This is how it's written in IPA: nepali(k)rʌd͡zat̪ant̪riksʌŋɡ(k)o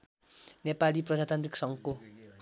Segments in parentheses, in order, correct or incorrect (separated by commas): incorrect, correct